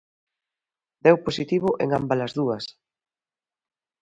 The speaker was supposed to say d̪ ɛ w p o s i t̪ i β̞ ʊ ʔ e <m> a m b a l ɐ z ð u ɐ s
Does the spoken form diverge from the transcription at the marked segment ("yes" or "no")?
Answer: yes